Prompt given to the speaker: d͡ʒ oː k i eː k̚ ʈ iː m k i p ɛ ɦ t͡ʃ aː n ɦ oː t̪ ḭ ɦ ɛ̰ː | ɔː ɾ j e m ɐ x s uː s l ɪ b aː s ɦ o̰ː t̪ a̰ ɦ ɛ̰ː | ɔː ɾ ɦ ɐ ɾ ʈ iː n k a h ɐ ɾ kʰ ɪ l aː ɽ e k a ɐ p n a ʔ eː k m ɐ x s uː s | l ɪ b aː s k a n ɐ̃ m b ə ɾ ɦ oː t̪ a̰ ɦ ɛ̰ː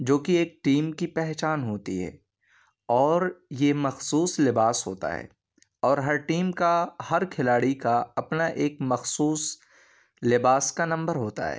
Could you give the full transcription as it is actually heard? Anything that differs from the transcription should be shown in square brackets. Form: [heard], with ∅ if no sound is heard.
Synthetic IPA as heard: d͡ʒ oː k i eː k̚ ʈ iː m k i p ɛ ɦ t͡ʃ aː n ɦ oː t̪ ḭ ɦ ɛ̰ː | ɔː ɾ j e m ɐ x s uː s l ɪ b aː s ɦ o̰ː t̪ a̰ ɦ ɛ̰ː | ɔː ɾ ɦ ɐ ɾ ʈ iː [m] k a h ɐ ɾ kʰ ɪ l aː ɽ [i] k a ɐ p n a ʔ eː k m ɐ x s uː s | l ɪ b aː s k a n ɐ̃ m b ə ɾ ɦ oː t̪ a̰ ɦ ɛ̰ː

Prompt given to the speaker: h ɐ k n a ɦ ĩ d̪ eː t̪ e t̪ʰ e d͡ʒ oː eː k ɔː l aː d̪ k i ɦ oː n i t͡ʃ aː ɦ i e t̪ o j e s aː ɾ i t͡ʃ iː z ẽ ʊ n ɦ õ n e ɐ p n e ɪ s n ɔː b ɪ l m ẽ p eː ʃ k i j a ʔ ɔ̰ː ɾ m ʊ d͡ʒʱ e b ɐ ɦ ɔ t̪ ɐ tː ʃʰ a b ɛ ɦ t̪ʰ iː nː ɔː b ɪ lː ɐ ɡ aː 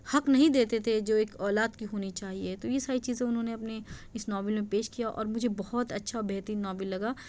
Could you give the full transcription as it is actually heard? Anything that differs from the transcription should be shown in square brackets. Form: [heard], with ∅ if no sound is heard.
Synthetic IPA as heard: h ɐ k n [ɐ] ɦ ĩ d̪ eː t̪ e t̪ʰ e d͡ʒ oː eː k ɔː l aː d̪ k i ɦ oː n i t͡ʃ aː ɦ i e t̪ o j e s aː ɾ i t͡ʃ iː z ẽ ʊ n ɦ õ n e ɐ p n e ɪ s n ɔː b ɪ l m ẽ p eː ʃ k i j a ʔ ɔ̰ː ɾ m ʊ d͡ʒʱ e b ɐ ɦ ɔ t̪ ɐ tː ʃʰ a b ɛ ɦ [t̪] iː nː ɔː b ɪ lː ɐ ɡ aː

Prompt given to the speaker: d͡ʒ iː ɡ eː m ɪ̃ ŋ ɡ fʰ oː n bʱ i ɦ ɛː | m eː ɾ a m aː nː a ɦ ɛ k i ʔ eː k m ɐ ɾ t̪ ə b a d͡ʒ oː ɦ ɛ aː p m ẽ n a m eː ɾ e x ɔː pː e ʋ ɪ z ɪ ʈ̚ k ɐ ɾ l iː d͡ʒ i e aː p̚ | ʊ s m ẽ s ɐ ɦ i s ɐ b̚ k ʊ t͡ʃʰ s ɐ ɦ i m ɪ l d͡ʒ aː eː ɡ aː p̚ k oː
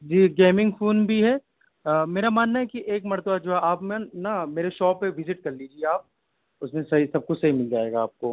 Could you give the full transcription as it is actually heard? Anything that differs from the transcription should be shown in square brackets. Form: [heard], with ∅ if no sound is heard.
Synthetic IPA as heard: d͡ʒ iː ɡ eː m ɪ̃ ŋ ɡ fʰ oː n bʱ i ɦ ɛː | m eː ɾ a m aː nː a ɦ ɛ k i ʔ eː k m ɐ ɾ t̪ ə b a d͡ʒ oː ɦ ɛ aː p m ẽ n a m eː ɾ e [ʃ] ɔː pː e ʋ ɪ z ɪ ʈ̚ k ɐ ɾ l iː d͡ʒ i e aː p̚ | ʊ s m ẽ s ɐ ɦ i s ɐ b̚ k ʊ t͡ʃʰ s ɐ ɦ i m ɪ l d͡ʒ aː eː ɡ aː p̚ k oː

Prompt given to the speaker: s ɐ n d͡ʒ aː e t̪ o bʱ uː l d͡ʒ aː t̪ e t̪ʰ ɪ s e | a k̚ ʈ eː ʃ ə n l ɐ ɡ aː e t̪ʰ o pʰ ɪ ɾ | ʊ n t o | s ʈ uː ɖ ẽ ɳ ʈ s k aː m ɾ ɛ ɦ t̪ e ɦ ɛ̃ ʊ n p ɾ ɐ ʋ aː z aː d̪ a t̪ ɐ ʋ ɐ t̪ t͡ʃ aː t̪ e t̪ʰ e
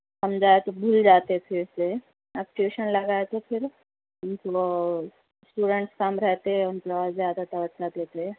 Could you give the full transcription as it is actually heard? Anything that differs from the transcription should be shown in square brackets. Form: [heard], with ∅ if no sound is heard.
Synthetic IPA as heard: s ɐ [m] d͡ʒ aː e t̪ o bʱ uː l d͡ʒ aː t̪ e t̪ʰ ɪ s e | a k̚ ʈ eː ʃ ə n l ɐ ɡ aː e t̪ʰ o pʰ ɪ ɾ | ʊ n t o | s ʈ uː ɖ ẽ ɳ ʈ s k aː m ɾ ɛ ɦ t̪ e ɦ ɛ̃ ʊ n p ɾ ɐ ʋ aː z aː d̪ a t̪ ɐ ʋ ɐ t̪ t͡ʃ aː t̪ e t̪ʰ e

